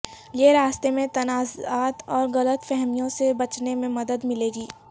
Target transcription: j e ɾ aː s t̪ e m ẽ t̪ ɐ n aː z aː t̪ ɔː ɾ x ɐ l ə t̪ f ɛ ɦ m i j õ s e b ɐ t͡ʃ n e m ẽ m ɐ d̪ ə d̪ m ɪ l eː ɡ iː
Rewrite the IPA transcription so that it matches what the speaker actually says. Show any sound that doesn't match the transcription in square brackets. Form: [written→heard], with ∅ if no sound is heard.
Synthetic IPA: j e ɾ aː s t̪ e m ẽ t̪ ɐ n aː z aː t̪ ɔː ɾ [x→ɣ] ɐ l ə t̪ f ɛ ɦ m i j õ s e b ɐ t͡ʃ n e m ẽ m ɐ d̪ ə d̪ m ɪ l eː ɡ iː